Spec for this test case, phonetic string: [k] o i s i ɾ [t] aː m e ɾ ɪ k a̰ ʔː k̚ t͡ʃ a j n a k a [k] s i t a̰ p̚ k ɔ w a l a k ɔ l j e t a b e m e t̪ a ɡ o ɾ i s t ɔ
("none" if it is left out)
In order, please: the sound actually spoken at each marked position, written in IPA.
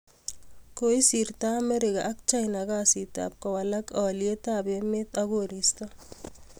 k, t, none

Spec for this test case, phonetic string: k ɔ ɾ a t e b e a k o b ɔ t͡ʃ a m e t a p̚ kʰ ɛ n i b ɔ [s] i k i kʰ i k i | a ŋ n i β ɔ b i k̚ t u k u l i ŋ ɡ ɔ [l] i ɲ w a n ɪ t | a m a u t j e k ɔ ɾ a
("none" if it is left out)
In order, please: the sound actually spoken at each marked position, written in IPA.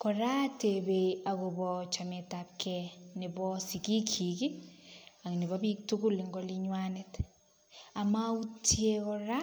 s, l

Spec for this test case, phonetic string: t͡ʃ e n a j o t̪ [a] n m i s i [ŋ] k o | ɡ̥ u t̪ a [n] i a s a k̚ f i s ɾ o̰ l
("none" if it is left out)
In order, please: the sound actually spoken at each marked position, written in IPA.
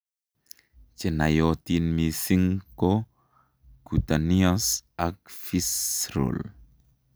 i, ŋ, n

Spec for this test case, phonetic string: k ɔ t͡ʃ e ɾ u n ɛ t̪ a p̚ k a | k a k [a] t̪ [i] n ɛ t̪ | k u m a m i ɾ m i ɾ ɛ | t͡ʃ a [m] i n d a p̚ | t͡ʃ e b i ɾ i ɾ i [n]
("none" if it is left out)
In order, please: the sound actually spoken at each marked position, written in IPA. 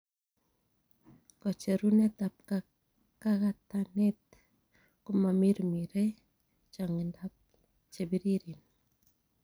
a, a, ŋ, n

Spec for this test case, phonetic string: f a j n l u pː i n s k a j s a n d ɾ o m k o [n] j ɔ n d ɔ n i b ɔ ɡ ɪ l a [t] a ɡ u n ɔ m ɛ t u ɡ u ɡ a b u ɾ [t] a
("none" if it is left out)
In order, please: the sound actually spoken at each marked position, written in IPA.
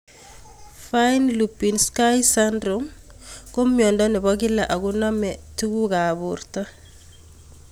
m, ʔ, t

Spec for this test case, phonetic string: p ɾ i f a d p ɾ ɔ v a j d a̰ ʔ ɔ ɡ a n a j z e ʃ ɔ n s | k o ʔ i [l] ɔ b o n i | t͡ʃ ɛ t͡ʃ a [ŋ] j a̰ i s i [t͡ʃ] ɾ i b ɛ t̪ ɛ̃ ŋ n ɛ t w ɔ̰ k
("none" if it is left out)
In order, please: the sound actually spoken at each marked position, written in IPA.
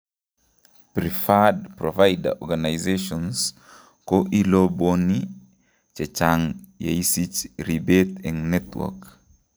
l, ŋ, t͡ʃ

